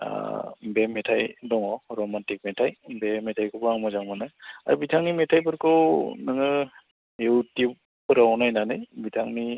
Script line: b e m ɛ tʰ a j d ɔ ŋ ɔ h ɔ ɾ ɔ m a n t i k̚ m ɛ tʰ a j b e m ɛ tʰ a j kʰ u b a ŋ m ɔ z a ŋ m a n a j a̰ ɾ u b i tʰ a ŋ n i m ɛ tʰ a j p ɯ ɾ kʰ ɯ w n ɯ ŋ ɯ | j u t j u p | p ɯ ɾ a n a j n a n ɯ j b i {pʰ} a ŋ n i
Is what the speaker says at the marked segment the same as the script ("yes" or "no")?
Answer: no